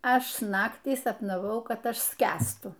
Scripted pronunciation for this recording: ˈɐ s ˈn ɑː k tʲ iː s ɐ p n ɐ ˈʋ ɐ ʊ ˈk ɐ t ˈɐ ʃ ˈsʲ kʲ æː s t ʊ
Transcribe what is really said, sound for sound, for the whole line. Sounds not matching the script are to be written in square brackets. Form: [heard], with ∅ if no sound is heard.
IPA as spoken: ˈɐ [ʃ] ˈn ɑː k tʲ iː s ɐ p n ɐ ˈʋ ɐ ʊ ˈk ɐ t ˈɐ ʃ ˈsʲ kʲ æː s t ʊ